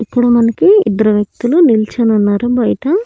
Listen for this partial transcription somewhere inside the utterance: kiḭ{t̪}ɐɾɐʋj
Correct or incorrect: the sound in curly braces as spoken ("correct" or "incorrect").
incorrect